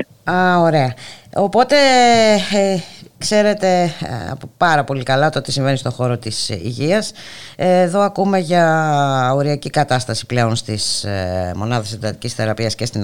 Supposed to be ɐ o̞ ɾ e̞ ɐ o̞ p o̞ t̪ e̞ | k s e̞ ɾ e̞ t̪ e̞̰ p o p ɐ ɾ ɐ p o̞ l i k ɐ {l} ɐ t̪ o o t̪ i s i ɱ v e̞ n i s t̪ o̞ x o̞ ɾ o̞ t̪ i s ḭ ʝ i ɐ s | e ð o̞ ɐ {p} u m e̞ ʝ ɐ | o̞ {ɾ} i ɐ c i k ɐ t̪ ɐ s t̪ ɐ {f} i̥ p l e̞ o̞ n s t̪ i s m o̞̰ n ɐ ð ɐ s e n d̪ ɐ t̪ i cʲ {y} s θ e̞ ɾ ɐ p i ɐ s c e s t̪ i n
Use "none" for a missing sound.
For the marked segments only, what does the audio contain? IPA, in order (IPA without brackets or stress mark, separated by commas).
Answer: l, k, ɾ, s, i